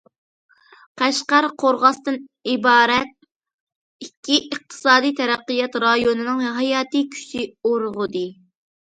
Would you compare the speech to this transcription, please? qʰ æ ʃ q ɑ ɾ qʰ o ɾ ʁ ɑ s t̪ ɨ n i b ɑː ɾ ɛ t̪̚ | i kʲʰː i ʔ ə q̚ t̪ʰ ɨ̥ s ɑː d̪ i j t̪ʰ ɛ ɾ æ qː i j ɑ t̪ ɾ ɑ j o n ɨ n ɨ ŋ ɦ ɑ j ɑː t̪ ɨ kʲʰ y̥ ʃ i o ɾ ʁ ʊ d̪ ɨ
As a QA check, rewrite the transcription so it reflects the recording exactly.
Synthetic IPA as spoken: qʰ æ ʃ q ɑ ɾ qʰ o ɾ ʁ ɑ s t̪ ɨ n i b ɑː ɾ ɛ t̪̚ | i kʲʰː i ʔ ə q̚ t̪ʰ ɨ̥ s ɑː d̪ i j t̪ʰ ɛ ɾ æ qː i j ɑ t̪ ɾ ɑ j o n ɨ n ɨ ŋ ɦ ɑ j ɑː t̪ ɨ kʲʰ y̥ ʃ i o ɾ ʁ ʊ d̪ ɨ